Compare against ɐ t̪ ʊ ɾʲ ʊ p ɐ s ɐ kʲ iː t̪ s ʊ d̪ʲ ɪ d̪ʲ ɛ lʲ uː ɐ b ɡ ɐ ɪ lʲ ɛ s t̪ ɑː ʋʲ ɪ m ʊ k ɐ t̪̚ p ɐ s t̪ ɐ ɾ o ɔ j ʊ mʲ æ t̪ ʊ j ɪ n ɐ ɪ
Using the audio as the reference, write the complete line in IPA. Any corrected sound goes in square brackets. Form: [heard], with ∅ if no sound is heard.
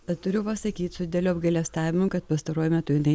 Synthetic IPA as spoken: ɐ t̪ ʊ ɾʲ ʊ p ɐ s ɐ kʲ iː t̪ s ʊ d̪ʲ ɪ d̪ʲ ɛ lʲ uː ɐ b ɡ ɐ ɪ lʲ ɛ s t̪ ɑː ʋʲ ɪ m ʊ k ɐ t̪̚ p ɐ s t̪ ɐ ɾ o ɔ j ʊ mʲ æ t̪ ʊ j ɪ n ɐ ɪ